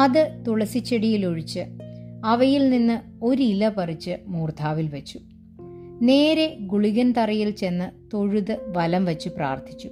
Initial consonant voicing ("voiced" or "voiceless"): voiced